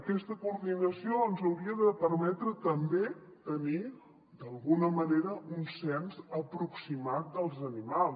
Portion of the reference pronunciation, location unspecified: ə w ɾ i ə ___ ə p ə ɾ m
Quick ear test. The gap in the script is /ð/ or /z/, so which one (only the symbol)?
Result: ð